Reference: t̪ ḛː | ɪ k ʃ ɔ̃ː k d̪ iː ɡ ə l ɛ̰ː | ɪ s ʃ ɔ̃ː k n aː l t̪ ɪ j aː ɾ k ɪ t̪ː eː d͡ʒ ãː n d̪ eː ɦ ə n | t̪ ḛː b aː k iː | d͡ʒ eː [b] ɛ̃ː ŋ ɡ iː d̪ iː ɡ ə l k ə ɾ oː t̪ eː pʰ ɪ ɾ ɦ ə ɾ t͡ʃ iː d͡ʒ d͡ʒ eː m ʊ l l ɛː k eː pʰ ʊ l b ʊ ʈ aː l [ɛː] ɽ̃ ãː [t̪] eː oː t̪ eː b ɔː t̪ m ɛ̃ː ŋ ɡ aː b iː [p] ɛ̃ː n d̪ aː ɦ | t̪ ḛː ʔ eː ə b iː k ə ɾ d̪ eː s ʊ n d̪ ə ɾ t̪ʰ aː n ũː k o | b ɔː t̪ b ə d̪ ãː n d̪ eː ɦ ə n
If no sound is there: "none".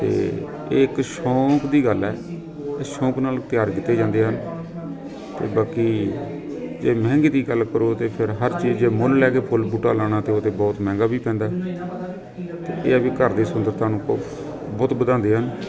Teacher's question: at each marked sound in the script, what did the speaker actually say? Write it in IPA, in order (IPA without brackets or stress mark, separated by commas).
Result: m, aː, t̪, p